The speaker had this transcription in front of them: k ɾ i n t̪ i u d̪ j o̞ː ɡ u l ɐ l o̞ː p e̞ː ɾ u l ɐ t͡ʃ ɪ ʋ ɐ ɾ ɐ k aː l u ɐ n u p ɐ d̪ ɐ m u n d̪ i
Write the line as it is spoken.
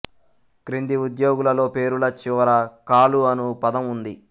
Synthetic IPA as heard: k ɾ i n d̪ i u d̪ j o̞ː ɡ u l ɐ l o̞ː p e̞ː ɾ u l ɐ t͡ʃ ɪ ʋ ɐ ɾ ɐ k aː l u ɐ n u p ɐ d̪ ɐ m u n d̪ i